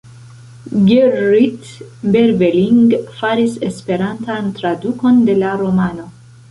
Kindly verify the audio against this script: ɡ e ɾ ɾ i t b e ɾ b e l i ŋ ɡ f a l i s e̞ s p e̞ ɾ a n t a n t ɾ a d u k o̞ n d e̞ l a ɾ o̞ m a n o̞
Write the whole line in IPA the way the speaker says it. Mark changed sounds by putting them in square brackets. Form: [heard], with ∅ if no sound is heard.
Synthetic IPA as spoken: ɡ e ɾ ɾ i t b e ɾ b e l i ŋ ɡ f a [ɾ] i s e̞ s p e̞ ɾ a n t a n t ɾ a d u k o̞ n d e̞ l a ɾ o̞ m a n o̞